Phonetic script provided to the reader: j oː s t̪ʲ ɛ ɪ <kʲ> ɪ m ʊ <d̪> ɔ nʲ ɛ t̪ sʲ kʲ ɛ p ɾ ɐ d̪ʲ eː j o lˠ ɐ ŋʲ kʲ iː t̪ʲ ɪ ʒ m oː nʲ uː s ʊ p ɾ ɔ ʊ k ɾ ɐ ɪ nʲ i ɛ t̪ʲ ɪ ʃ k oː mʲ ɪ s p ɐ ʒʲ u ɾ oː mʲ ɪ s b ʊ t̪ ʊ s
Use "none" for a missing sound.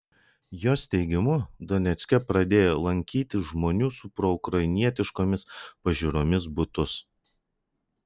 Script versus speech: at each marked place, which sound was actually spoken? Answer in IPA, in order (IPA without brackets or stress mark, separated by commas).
ɡʲ, d̪